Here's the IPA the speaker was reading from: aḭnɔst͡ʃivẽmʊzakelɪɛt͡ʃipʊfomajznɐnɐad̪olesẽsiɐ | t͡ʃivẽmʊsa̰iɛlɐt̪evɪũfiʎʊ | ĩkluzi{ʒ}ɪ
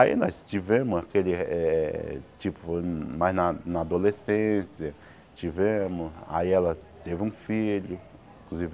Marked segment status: incorrect: v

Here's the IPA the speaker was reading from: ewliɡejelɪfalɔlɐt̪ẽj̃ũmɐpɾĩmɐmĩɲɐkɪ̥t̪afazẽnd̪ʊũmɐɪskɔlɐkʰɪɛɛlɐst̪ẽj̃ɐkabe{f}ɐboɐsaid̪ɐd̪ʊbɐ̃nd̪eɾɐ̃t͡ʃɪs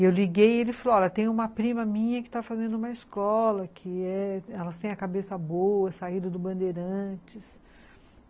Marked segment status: incorrect: s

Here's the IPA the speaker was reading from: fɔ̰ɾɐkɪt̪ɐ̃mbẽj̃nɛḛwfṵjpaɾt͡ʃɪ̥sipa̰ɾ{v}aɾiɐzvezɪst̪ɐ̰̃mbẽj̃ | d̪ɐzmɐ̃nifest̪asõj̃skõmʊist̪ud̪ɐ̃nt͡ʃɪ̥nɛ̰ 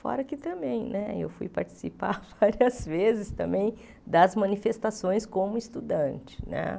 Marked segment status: correct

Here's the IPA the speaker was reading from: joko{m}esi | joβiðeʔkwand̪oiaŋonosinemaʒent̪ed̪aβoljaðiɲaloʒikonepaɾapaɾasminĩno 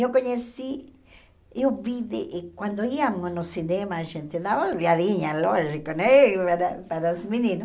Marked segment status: incorrect: ɲ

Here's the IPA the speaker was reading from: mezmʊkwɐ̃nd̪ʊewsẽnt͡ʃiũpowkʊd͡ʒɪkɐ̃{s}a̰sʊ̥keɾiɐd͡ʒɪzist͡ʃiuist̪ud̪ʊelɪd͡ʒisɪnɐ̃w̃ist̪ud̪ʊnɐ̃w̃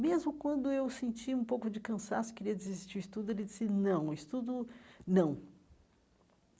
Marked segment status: correct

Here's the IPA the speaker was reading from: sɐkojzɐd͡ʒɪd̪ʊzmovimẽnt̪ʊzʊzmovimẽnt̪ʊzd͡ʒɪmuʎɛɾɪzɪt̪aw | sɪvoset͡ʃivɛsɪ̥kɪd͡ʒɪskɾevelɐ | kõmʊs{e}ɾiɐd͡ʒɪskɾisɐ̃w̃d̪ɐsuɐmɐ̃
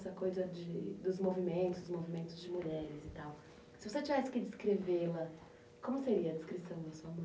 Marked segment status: correct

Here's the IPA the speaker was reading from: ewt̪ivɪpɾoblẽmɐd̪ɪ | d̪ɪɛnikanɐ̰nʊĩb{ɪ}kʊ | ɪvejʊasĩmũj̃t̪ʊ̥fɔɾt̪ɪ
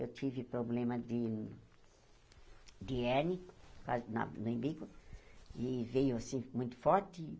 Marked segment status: incorrect: i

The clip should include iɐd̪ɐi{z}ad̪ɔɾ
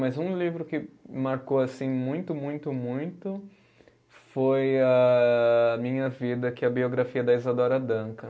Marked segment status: correct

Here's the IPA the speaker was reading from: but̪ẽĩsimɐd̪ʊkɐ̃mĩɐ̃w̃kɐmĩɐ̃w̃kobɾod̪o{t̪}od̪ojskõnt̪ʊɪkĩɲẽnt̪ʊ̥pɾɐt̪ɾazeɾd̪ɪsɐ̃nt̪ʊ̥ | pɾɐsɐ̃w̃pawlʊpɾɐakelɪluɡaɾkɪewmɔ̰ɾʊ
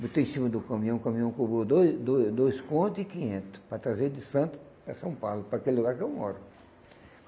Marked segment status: incorrect: d̪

